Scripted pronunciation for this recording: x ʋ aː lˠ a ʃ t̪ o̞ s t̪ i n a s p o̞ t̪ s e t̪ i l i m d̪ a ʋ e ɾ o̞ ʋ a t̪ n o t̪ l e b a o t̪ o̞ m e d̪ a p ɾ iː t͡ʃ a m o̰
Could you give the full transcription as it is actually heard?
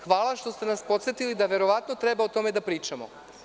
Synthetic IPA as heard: x ʋ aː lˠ a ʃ t̪ o̞ s t̪ e n a s p o̞ t̪ s e t̪ i l i d̪ a ʋ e ɾ o̞ ʋ a t̪ n o t̪ ɾ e b a o t̪ o̞ m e d̪ a p ɾ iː t͡ʃ a m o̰